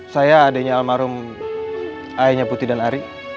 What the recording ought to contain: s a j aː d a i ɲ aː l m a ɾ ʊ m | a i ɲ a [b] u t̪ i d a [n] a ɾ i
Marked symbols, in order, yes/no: no, yes

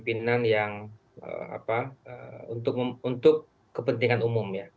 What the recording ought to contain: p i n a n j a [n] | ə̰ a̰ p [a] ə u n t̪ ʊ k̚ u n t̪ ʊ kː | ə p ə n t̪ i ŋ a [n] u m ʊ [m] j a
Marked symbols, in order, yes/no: no, yes, yes, yes

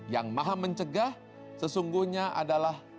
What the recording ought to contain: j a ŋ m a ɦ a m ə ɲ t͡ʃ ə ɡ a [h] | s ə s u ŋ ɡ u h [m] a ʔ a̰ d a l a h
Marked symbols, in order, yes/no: yes, no

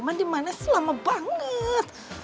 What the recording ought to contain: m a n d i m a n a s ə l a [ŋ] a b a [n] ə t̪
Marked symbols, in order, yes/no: no, no

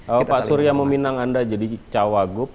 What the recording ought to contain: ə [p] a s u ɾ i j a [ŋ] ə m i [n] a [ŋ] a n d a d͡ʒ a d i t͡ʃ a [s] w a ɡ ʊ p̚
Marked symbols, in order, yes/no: yes, no, yes, yes, no

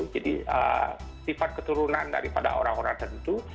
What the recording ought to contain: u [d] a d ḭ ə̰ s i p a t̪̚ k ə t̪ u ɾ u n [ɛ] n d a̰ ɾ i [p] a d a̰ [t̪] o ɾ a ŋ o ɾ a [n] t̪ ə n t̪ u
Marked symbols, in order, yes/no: no, no, yes, no, no

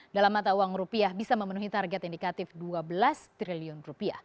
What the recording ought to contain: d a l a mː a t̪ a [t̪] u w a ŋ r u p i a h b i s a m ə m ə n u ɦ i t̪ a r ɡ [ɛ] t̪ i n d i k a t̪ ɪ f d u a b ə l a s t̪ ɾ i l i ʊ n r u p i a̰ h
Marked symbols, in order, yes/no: no, yes

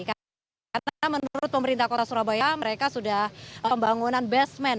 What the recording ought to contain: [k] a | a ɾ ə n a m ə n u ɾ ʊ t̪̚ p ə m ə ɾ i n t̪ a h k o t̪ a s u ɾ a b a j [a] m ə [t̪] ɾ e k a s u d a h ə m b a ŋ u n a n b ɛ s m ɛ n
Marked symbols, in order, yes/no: yes, yes, no

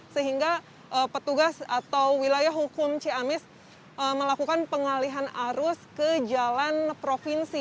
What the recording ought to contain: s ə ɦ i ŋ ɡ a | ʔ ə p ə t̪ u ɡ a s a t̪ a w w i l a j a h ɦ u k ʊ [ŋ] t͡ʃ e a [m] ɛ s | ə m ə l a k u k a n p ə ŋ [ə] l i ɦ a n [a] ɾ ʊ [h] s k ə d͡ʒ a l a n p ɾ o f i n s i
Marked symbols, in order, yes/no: no, yes, no, yes, no

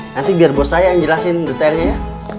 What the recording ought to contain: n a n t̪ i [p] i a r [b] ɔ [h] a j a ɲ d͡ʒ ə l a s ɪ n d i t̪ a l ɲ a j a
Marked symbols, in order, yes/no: no, yes, no

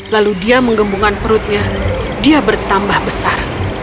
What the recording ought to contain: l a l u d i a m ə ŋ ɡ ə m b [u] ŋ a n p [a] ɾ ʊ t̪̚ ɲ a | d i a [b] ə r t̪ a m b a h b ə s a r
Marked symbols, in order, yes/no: yes, no, yes

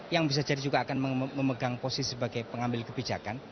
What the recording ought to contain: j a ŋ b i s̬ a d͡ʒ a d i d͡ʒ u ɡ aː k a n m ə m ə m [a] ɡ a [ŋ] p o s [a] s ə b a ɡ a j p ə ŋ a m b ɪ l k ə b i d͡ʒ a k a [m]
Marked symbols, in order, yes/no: no, yes, no, no

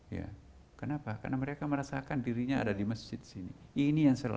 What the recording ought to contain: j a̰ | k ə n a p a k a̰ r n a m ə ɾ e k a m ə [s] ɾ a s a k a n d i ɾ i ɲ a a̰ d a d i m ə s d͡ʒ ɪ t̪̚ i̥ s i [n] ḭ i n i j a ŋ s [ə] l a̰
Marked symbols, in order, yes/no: no, yes, yes

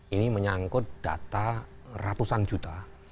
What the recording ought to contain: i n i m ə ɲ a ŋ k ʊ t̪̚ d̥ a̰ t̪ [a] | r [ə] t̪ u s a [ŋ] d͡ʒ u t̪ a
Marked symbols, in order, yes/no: yes, no, no

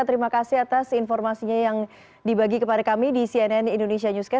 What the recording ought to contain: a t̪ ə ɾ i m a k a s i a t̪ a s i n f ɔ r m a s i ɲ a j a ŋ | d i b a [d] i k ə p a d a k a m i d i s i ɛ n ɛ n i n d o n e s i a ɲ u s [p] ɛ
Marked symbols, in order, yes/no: no, no

